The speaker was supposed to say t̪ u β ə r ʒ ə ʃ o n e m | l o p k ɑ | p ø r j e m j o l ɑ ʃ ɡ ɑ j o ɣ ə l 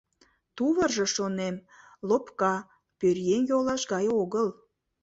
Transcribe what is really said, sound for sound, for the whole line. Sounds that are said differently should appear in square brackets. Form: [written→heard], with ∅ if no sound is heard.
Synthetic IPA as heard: t̪ u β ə r ʒ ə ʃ o n e m | l o p k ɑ | p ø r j e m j o l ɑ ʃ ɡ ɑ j o ɣ ə l